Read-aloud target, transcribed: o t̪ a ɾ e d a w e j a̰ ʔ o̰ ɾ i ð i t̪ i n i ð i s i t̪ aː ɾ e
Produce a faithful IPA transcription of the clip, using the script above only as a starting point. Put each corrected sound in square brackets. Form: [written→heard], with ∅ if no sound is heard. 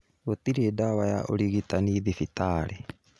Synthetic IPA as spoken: o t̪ [a→i] ɾ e d a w [e→a] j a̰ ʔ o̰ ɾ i [ð→ɣ] i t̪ [i→a] n i ð i [s→f] i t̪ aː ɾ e

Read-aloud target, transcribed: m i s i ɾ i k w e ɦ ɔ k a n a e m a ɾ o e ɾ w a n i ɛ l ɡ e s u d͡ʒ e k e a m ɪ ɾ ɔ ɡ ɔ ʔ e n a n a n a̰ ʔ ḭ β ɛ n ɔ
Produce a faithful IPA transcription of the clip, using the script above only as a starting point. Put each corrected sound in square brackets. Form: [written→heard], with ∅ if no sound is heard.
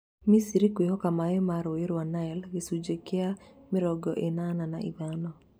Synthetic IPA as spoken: m i s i ɾ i k w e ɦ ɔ k a [n→m] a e m a ɾ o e ɾ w a n [i→a] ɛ l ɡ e s u d͡ʒ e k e a m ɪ ɾ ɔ ɡ ɔ ʔ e n a n a n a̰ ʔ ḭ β [ɛ→a] n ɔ

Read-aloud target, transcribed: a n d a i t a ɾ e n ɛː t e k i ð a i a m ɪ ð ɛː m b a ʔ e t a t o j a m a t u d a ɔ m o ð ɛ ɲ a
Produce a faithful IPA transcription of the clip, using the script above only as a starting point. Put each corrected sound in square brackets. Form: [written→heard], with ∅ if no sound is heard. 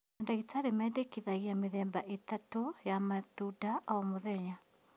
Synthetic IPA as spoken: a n d a i t a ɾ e [n→m] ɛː [t→d] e k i ð a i a m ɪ ð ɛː m b a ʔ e t a t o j a m a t u d a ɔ m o ð ɛ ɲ a

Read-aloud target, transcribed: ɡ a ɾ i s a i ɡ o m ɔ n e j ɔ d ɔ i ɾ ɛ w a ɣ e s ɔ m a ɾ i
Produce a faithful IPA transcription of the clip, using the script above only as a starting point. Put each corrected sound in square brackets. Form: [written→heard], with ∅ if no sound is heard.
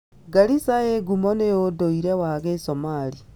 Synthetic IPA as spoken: ɡ a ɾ i s a [i→e] ɡ [o→u] m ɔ n e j [ɔ→o] d [ɔ→o] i ɾ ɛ w a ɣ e s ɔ m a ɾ i

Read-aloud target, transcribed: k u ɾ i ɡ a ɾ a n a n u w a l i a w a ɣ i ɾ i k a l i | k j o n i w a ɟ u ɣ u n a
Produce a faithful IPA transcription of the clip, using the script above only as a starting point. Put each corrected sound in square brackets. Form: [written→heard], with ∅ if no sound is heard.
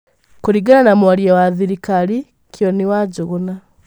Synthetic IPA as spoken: k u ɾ i ɡ a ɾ a n a [n→m] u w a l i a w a [ɣ→ð] i ɾ i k a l i | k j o n i w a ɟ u ɣ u n a

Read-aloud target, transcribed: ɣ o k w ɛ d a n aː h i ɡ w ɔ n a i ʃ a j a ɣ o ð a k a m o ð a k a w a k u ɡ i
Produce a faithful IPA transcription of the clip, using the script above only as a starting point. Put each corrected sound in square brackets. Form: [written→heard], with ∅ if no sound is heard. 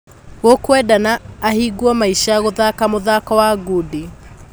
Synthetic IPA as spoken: ɣ o k w ɛ d a n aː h i ɡ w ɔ [n→m] a i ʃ a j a ɣ o ð a k a m o ð a k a w a [k→ɡ] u [ɡ→d] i

